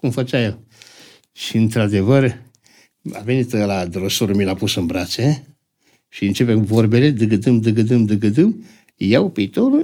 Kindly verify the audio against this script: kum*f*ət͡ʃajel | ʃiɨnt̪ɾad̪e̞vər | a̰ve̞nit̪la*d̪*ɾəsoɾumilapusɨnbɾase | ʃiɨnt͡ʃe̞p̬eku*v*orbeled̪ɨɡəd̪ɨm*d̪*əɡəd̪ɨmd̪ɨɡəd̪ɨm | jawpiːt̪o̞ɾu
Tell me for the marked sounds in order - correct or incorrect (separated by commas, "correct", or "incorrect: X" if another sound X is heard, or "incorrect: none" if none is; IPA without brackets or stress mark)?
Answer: correct, correct, correct, correct